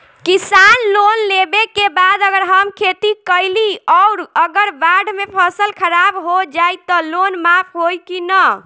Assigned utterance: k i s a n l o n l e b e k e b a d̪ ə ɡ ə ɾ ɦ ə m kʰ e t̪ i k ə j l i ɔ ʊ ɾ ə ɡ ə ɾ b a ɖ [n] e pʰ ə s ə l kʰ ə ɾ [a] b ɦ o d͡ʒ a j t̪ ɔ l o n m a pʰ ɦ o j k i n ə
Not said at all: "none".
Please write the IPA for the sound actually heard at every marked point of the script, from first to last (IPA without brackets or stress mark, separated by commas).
m, a